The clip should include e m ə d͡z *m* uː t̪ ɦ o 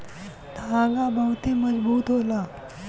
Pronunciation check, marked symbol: incorrect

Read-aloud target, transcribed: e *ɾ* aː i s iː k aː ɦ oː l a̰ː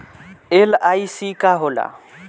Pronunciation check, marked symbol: incorrect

